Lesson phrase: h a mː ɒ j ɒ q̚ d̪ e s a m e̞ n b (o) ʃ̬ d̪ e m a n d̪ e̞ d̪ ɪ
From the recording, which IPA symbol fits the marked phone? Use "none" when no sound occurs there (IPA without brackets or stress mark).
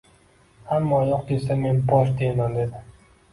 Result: ɒ